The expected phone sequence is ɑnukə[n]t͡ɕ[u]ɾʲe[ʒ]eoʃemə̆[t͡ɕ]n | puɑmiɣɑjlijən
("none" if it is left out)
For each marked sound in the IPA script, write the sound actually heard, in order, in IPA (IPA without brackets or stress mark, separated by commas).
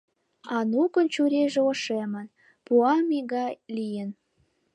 n, u, ʒ, none